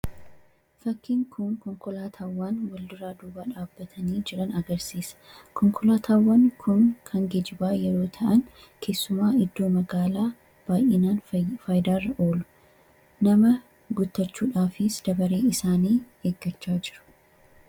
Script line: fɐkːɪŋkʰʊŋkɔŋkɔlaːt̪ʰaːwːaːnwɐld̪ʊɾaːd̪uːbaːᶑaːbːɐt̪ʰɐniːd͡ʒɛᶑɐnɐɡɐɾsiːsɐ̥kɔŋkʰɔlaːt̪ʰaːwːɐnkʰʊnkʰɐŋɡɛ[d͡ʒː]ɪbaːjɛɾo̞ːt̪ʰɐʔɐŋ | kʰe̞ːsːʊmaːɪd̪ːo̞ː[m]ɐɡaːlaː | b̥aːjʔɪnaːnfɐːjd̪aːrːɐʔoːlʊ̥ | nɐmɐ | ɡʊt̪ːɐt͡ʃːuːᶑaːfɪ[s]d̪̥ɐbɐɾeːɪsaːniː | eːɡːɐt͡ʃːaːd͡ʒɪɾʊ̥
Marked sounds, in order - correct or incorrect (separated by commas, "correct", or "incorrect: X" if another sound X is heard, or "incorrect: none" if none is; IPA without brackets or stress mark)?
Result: incorrect: d͡ʒ, correct, correct